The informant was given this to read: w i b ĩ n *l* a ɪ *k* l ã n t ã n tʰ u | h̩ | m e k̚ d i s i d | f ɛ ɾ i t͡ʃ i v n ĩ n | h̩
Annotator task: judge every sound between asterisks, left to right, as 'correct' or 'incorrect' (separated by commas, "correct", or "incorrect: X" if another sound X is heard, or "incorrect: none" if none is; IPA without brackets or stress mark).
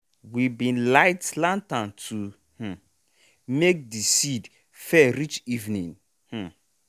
correct, incorrect: t